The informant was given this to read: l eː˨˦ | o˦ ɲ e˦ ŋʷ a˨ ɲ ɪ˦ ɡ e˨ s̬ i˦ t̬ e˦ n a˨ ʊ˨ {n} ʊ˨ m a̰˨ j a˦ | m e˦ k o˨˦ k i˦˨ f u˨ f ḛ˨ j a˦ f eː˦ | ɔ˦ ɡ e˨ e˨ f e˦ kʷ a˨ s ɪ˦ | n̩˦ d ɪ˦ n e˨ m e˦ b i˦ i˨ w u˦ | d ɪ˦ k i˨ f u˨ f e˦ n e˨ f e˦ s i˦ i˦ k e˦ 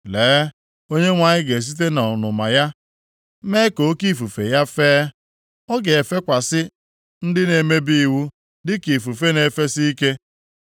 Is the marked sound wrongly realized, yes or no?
no